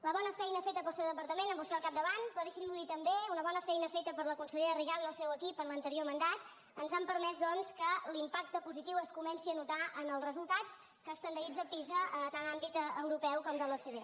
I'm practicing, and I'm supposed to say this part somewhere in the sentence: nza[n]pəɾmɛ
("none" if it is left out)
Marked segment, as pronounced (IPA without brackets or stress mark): m